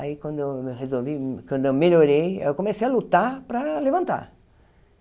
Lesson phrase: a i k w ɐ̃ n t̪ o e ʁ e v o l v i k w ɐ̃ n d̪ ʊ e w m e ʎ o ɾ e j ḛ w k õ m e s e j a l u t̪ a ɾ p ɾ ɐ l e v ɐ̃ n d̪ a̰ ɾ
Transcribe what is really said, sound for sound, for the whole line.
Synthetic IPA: a i k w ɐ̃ n d̪ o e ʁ e z o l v i k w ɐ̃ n d̪ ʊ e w m e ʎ o ɾ e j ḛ w k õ m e s e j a l u t̪ a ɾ p ɾ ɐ l e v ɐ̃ n t̪ a̰ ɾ